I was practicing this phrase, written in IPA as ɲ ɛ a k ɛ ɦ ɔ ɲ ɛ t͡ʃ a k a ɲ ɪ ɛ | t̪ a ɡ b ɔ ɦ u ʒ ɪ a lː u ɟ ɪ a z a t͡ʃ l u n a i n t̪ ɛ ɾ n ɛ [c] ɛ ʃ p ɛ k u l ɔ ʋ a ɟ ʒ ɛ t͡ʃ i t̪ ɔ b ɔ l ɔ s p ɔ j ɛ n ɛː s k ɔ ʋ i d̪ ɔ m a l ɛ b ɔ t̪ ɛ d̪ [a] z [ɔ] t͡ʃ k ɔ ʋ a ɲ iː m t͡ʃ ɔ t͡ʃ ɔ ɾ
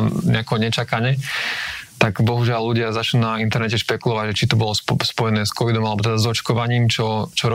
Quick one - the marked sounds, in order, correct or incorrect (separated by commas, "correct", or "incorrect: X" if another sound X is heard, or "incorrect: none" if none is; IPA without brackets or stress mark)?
correct, correct, correct